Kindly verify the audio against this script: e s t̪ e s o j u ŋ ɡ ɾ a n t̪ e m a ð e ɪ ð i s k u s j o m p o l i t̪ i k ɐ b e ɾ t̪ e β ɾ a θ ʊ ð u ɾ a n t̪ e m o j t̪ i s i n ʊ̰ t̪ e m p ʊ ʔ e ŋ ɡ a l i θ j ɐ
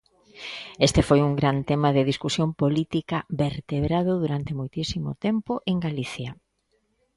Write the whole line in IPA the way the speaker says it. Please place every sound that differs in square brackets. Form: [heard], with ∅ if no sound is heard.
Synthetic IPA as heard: e s t̪ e [f] o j u ŋ ɡ ɾ a n t̪ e m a ð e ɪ ð i s k u s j o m p o l i t̪ i k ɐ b e ɾ t̪ e β ɾ a [ð] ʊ ð u ɾ a n t̪ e m o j t̪ i s i [m] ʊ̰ t̪ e m p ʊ ʔ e ŋ ɡ a l i θ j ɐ